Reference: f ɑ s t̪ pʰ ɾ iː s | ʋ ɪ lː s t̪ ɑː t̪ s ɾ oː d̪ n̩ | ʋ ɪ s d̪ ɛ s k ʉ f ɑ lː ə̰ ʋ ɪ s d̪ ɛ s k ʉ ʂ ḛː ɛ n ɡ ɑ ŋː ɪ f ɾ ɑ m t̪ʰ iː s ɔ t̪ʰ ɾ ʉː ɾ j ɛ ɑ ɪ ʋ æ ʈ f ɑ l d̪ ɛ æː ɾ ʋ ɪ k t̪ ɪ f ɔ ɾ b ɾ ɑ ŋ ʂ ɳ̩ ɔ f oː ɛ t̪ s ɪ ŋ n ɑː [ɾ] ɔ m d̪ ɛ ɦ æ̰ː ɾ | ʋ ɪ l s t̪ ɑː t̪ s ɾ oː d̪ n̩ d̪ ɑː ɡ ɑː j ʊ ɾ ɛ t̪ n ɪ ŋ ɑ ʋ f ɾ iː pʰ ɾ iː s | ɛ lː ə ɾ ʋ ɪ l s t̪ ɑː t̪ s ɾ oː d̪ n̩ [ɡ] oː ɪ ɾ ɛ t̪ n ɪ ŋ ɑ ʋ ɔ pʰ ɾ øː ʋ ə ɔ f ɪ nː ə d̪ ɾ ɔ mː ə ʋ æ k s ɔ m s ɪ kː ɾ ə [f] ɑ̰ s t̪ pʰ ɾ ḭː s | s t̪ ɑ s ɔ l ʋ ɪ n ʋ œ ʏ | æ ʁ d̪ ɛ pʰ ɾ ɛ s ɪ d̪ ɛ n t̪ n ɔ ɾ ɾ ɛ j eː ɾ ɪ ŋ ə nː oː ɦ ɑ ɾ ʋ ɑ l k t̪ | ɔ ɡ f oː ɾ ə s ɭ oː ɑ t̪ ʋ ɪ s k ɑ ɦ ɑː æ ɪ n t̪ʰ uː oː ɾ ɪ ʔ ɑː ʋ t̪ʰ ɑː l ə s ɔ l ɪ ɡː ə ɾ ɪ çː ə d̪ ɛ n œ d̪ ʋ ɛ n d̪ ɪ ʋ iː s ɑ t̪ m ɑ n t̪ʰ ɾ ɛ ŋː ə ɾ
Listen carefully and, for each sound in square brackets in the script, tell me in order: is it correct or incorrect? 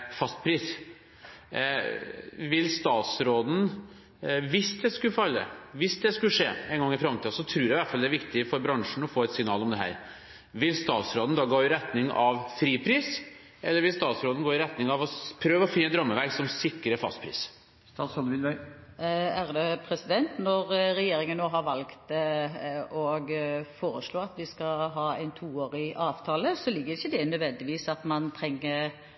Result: incorrect, correct, correct

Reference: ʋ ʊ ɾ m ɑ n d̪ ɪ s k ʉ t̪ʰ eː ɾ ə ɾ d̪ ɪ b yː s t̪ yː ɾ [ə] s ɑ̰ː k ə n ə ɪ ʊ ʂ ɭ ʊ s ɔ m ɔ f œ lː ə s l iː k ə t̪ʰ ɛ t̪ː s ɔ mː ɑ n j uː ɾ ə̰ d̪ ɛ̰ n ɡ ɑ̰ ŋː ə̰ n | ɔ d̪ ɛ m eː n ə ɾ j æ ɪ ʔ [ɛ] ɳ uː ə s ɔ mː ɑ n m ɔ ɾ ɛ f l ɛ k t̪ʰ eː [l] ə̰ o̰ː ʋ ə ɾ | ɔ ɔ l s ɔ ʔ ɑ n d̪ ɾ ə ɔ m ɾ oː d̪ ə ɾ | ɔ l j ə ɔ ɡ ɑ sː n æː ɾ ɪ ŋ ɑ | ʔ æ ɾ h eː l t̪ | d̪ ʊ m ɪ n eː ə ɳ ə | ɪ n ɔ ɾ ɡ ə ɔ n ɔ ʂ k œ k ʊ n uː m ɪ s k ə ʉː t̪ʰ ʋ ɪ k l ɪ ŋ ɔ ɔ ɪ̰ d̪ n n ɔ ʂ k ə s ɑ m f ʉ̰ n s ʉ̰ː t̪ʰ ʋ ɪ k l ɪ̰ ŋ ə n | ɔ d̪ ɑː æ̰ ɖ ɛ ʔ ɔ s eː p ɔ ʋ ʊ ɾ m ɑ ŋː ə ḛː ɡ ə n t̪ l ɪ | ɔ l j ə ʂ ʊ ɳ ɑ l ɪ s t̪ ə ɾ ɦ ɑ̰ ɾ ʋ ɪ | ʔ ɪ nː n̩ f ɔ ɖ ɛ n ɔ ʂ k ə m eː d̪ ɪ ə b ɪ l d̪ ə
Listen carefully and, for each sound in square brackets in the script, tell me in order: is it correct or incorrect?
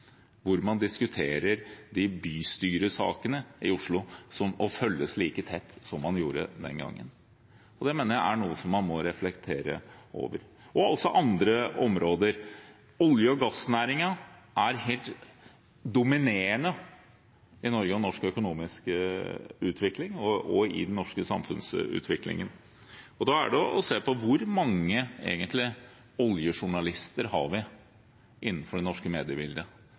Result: correct, incorrect, incorrect

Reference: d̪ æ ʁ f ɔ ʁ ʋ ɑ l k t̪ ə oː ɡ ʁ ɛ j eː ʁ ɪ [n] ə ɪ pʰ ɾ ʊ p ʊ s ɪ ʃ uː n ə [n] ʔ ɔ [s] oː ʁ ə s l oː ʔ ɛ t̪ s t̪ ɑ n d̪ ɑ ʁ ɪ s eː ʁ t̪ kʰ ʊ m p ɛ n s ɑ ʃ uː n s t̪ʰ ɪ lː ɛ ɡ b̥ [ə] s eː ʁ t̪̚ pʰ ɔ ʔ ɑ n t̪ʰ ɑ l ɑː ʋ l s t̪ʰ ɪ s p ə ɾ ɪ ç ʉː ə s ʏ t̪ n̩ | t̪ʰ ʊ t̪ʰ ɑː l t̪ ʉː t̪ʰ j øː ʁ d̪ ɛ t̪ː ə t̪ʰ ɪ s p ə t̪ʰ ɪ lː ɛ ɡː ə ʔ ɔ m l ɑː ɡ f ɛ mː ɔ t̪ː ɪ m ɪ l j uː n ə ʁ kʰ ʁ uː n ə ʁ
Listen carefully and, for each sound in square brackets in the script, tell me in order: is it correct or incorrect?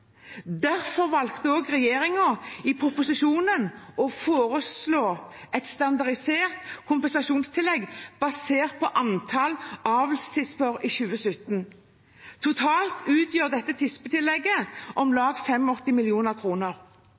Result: incorrect, correct, incorrect, incorrect

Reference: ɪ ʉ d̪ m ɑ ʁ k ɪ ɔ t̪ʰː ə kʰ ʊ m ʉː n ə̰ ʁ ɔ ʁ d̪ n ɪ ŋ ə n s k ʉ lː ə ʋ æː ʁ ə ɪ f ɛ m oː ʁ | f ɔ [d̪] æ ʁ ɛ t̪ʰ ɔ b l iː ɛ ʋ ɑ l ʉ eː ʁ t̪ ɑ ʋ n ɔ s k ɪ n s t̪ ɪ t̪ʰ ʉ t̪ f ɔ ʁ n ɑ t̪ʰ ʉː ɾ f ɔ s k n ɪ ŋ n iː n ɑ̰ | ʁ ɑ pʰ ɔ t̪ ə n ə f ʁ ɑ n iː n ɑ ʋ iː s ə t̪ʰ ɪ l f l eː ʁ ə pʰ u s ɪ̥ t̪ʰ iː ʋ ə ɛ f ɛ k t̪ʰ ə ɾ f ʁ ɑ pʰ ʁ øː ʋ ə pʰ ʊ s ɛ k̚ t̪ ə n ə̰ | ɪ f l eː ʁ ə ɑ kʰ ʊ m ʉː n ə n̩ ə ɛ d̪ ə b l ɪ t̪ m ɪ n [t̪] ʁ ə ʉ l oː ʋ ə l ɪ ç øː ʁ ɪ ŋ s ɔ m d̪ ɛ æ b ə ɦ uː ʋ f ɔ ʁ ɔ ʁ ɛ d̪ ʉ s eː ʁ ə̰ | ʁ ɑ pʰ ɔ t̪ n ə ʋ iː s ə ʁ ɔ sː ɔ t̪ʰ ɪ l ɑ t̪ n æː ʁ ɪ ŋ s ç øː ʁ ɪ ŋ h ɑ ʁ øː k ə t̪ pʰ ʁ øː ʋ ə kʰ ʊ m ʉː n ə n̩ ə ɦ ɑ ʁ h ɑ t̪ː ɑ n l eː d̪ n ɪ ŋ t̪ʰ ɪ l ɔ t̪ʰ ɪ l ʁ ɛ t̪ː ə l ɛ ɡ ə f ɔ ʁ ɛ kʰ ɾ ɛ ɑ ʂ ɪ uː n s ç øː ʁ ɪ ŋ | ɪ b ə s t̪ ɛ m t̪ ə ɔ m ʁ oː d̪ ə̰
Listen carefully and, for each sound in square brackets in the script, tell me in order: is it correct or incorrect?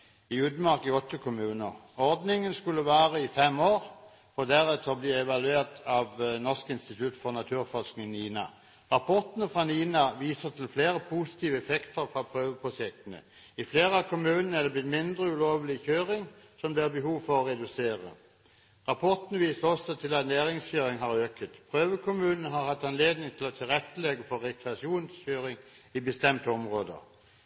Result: correct, incorrect

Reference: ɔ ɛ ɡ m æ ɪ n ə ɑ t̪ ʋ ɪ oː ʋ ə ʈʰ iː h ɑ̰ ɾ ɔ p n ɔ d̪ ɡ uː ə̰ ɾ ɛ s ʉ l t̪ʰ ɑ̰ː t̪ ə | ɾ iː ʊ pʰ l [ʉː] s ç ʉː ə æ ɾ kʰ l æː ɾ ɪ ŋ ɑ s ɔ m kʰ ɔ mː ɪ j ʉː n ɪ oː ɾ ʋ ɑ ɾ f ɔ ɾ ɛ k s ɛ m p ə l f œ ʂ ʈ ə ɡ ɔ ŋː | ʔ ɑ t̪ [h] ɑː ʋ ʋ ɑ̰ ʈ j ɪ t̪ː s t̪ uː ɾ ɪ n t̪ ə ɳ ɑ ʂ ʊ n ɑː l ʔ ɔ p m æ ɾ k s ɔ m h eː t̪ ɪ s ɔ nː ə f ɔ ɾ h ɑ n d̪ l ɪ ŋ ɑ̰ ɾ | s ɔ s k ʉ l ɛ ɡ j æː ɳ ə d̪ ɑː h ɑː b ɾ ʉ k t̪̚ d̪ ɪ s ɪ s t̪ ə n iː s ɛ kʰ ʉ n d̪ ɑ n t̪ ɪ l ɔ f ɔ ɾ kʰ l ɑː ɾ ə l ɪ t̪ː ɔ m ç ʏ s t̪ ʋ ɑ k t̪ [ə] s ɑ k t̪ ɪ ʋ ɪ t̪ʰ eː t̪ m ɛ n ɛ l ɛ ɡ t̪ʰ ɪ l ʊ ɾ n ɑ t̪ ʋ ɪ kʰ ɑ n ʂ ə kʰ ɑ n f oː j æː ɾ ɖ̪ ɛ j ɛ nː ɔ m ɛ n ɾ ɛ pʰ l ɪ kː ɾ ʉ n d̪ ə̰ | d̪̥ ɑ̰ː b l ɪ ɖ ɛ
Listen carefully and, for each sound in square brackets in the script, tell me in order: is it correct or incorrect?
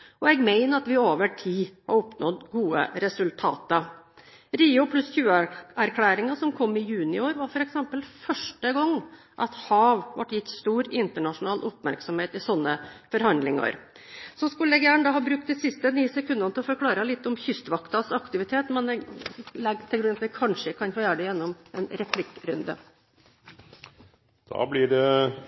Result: incorrect, correct, incorrect

